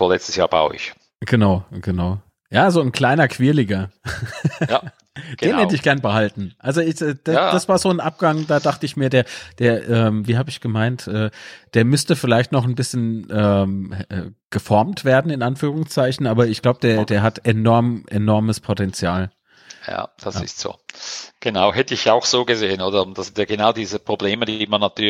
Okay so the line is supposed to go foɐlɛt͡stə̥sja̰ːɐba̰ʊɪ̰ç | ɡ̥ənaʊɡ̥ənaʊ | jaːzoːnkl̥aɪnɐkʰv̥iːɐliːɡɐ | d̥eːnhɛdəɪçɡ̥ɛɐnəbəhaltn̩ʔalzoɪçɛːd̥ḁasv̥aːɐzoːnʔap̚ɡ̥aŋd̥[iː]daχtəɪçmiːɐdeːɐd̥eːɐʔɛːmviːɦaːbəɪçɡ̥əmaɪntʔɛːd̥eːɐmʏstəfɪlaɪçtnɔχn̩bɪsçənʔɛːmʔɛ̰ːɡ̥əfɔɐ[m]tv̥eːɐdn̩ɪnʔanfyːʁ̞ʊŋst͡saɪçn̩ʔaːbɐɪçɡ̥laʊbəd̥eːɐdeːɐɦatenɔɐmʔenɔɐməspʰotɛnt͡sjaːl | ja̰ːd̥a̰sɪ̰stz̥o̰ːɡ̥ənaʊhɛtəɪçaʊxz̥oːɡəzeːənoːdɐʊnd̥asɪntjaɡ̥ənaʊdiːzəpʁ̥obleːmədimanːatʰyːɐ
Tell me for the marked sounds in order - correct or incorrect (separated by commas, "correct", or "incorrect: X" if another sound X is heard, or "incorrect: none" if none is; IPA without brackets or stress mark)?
incorrect: aː, correct